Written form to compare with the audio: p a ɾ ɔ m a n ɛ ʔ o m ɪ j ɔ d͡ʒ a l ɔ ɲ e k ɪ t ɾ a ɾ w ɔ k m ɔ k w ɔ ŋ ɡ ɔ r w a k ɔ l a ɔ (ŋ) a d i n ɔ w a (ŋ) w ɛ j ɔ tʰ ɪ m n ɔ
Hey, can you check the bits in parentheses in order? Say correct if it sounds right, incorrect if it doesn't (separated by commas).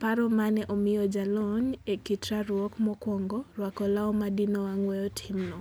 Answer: incorrect, correct